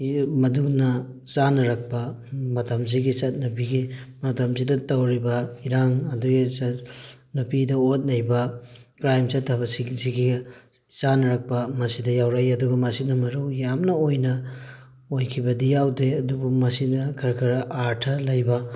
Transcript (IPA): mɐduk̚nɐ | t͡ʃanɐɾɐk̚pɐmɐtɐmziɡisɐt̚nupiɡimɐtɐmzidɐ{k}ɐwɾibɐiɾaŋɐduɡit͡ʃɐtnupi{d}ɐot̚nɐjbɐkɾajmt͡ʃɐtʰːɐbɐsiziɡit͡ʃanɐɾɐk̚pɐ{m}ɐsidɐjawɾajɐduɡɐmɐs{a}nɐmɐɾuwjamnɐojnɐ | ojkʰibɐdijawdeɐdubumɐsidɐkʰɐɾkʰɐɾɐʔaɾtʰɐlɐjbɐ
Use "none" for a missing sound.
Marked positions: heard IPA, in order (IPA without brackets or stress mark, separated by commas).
t, d, m, i